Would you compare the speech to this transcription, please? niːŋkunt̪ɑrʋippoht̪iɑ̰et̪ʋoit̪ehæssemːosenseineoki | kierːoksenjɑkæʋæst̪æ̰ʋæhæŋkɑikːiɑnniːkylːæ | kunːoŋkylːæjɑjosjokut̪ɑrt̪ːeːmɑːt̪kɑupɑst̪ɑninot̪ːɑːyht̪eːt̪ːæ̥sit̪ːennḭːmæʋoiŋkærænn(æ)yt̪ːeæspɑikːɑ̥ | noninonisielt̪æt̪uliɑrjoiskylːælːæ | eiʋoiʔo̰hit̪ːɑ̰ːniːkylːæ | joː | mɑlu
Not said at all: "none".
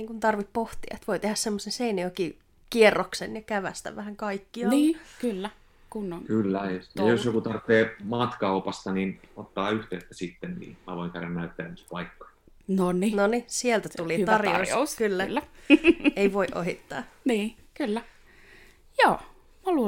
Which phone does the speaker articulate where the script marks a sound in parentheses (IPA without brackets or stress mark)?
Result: æ